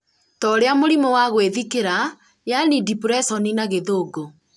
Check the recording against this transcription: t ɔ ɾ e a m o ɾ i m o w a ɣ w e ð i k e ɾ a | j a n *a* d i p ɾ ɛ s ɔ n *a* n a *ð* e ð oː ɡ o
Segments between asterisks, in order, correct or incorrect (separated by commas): incorrect, incorrect, incorrect